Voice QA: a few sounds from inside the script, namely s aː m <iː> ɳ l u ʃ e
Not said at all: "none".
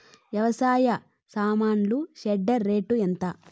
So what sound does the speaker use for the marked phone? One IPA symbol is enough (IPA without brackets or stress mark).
aː